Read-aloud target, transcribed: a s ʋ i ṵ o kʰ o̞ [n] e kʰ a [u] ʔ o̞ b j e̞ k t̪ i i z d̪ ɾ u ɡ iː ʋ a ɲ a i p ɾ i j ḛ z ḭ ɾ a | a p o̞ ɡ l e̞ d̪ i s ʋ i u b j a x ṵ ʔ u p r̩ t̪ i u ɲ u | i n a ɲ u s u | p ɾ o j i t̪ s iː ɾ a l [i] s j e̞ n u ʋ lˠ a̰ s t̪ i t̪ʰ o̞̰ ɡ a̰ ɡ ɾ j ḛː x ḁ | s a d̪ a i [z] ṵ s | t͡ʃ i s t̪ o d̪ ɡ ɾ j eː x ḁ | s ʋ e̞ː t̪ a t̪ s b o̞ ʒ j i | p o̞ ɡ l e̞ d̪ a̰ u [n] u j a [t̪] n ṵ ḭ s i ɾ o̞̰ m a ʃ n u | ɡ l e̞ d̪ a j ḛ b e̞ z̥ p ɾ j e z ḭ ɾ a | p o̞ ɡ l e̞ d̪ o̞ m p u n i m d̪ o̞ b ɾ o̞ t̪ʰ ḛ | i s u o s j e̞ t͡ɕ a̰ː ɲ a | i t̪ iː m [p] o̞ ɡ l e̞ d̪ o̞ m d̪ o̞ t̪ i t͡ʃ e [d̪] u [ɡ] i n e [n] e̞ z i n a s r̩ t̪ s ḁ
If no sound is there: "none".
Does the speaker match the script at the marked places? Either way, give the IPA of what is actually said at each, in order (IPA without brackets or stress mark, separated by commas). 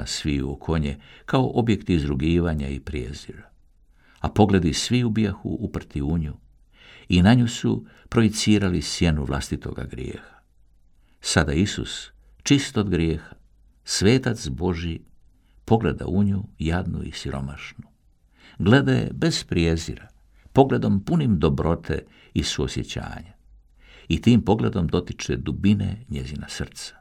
ɲ, o, i, s, ɲ, d̪, p, d̪, b, ɲ